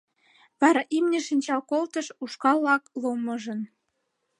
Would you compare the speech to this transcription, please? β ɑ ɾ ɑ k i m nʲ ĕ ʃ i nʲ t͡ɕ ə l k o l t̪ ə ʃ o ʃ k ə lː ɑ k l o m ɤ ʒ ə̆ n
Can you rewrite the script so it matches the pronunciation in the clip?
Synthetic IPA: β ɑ ɾ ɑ ʔ i m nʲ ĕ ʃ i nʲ t͡ɕ ɑ l k o l t̪ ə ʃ u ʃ k ɑ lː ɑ k l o m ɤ ʒ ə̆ n

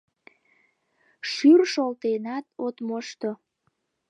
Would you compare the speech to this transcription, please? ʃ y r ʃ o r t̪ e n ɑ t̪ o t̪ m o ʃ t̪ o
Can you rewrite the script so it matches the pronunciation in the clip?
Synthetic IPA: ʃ y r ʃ o l t̪ e n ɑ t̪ o t̪ m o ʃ t̪ o

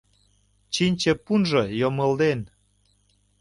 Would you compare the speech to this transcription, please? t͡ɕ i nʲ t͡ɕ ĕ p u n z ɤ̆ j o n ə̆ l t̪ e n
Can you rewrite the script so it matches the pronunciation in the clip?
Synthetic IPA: t͡ɕ i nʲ t͡ɕ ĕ p u n ʒ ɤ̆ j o m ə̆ l d̪ e n

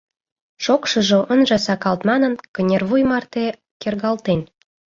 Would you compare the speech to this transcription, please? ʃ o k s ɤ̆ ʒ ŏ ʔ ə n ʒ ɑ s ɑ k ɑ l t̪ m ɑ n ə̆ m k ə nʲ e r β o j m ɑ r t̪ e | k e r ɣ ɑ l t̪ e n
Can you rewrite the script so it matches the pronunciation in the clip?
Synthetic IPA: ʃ o k ʃ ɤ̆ ʒ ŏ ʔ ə n ʒ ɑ s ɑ k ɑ l t̪ m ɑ n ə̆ n k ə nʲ e r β u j m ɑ r t̪ e | k e r ɣ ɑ l t̪ e n

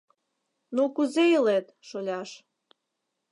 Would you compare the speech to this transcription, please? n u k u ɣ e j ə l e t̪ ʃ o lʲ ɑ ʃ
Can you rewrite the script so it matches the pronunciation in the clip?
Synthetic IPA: n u k u z e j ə l e t̪ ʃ o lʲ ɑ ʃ

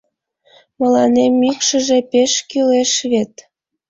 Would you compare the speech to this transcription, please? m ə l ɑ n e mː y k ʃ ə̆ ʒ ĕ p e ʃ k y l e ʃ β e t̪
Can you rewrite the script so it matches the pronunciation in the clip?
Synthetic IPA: m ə l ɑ n e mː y k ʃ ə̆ ʒ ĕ p e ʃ k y l e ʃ β e t̪

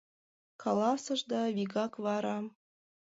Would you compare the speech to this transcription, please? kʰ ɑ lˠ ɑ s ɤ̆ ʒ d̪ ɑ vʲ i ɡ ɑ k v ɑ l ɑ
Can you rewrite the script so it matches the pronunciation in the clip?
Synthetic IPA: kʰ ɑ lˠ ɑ s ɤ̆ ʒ d̪ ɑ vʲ i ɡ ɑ k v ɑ ɾ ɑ

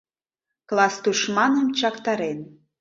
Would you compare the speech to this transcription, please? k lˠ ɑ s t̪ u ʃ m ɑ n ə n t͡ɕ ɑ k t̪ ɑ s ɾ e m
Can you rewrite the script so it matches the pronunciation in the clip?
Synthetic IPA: k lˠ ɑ s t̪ u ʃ m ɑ n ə m t͡ɕ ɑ k t̪ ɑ ɾ e n

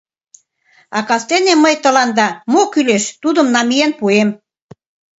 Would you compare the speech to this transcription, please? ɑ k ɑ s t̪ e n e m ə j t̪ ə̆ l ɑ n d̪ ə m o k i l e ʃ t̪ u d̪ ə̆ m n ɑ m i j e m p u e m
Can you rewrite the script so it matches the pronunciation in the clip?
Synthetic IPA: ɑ k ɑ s t̪ e n e m ə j t̪ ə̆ l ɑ n d̪ ɑ m o k y l e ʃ t̪ u d̪ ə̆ m n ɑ m i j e n p u e m

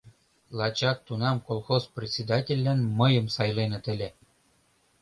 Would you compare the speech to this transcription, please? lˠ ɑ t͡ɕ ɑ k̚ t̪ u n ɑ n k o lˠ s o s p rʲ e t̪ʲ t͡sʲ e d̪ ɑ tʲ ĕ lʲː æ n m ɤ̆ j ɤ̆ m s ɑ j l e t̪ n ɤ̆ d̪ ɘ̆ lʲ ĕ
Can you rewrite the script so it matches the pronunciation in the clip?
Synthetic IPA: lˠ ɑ t͡ɕ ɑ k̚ t̪ u n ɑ m k o lˠ x o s p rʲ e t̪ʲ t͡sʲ e d̪ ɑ tʲ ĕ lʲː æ n m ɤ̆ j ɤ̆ m s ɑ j l e n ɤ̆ t̪ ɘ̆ lʲ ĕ

